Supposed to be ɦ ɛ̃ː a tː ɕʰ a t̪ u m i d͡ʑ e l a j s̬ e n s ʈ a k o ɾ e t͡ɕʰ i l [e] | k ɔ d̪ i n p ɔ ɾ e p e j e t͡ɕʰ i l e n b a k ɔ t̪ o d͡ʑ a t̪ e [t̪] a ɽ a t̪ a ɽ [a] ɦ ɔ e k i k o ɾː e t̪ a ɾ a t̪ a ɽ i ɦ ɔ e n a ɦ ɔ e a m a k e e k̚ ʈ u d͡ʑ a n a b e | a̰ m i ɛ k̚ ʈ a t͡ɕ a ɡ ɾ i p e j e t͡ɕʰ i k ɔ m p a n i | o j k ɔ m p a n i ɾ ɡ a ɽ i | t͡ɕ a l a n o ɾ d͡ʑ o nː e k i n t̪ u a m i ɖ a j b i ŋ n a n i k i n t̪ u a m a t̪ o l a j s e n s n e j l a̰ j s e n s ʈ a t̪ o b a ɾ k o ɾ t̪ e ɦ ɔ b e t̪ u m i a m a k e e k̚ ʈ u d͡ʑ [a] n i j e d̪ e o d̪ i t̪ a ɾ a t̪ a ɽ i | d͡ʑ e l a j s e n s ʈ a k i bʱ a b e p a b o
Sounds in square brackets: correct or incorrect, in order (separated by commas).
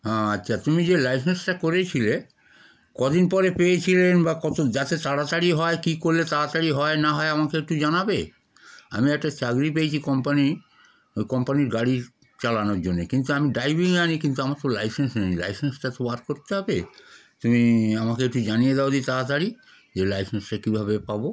correct, correct, incorrect, correct